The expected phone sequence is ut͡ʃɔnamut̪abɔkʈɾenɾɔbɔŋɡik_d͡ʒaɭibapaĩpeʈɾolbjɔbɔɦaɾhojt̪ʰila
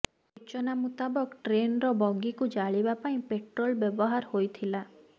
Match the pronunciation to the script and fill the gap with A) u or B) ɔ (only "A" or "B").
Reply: A